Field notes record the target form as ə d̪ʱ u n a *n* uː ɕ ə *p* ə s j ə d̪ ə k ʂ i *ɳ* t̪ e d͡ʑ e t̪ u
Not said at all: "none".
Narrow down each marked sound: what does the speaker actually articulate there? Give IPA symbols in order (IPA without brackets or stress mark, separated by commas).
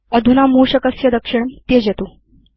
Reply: m, k, ɳ